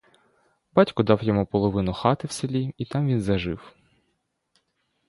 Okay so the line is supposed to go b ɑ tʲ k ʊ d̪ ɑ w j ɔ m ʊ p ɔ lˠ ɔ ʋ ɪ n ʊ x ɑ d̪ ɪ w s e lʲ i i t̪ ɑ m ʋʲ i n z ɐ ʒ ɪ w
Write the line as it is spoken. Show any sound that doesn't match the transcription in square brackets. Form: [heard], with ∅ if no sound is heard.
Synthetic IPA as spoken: b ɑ tʲ k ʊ d̪ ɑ w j ɔ m [u] p ɔ lˠ ɔ ʋ ɪ n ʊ x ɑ [t̪] ɪ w s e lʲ i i t̪ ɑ m ʋʲ i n z ɐ ʒ ɪ w